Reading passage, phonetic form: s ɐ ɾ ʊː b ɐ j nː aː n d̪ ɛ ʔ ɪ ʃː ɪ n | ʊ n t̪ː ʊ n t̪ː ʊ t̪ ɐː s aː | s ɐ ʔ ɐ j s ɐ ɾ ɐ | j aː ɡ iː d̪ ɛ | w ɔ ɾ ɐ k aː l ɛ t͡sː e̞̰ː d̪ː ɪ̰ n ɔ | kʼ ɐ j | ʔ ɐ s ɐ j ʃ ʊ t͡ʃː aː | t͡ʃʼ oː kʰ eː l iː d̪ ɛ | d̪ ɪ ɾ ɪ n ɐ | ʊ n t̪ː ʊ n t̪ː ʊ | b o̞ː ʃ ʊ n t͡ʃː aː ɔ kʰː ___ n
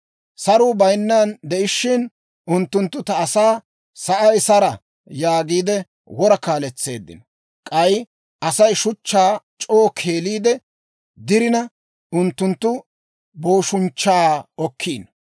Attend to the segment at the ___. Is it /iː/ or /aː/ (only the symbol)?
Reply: iː